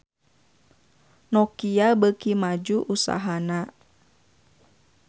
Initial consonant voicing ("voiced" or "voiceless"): voiced